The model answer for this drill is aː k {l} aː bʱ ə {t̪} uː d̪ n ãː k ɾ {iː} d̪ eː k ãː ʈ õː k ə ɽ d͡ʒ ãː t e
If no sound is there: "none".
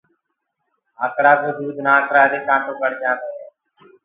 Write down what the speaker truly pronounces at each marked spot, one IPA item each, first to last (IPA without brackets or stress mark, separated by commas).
ɽ, d̪, aː